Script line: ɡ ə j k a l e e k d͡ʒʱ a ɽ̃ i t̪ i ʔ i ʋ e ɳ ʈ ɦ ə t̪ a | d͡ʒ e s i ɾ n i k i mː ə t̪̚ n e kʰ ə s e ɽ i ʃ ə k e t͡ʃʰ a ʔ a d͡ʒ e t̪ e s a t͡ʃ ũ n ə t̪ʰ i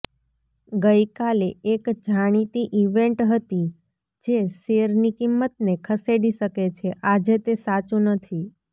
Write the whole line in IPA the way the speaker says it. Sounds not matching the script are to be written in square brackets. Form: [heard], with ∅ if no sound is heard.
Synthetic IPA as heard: ɡ ə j k a l e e k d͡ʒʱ a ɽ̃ i t̪ i ʔ i ʋ e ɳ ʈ ɦ ə t̪ [i] | d͡ʒ e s [e] ɾ n i k i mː ə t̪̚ n e kʰ ə s e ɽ i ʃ ə k e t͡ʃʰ [e] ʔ a d͡ʒ e t̪ e s a t͡ʃ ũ n ə t̪ʰ i